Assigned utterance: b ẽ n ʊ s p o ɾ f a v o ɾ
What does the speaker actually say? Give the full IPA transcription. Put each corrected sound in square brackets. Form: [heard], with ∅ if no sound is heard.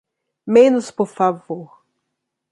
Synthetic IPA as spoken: [m] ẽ n ʊ s p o ɾ f a v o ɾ